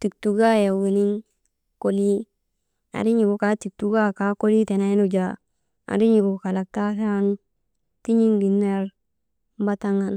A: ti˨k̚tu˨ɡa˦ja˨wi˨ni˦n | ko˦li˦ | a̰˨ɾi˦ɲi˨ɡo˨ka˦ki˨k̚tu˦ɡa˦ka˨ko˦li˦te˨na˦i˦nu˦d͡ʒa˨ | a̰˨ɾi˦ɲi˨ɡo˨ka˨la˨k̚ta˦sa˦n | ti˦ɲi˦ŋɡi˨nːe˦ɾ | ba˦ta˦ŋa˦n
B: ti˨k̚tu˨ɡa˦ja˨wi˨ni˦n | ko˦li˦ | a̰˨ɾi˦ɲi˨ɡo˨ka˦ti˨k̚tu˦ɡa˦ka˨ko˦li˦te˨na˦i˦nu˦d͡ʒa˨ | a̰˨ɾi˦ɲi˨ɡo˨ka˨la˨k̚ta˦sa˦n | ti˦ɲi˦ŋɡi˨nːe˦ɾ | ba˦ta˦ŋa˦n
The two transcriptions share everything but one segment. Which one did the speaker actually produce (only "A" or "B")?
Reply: B